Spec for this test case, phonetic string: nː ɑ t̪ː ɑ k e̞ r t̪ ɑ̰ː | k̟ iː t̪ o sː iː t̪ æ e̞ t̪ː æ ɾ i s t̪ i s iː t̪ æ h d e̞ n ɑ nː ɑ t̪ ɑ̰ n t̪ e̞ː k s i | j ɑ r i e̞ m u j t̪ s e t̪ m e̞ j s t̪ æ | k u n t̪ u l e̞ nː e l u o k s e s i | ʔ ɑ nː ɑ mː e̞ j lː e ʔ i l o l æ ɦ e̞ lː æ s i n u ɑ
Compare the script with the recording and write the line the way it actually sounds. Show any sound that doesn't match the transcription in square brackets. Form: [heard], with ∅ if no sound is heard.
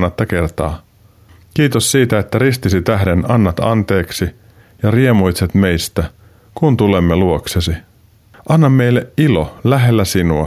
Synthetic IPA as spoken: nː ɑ t̪ː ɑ k e̞ r t̪ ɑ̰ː | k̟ iː t̪ o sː iː t̪ æ e̞ t̪ː æ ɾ i s t̪ i s [i] t̪ æ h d e̞ n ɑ nː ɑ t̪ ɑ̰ n t̪ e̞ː k s i | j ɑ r i e̞ m u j t̪ s e t̪ m e̞ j s t̪ æ | k u n t̪ u l e̞ [mː] e l u o k s e s i | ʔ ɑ nː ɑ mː e̞ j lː e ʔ i l o l æ ɦ e̞ lː æ s i n u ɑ